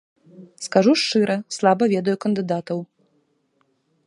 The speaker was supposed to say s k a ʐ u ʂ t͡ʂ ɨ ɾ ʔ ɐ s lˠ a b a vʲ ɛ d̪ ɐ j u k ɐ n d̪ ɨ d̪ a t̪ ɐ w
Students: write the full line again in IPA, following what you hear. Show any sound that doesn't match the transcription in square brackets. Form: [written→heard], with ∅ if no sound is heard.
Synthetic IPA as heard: s k a ʐ u ʂ t͡ʂ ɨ ɾ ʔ ɐ s lˠ a b [a→ɐ] vʲ ɛ d̪ ɐ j u k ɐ n d̪ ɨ d̪ a t̪ ɐ w